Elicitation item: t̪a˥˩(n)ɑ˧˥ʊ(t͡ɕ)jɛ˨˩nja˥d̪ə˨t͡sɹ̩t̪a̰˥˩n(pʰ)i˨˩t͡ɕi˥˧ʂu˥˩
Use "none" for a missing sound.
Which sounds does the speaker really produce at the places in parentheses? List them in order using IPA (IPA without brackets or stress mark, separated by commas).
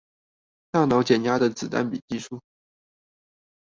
n, t͡ɕ, p